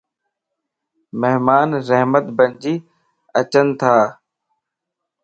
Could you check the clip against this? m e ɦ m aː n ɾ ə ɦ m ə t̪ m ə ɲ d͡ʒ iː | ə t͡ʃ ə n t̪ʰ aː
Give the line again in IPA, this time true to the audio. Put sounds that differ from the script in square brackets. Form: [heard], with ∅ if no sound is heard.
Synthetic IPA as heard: m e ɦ m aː n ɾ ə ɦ m ə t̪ [b] ə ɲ d͡ʒ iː | ə t͡ʃ ə n t̪ʰ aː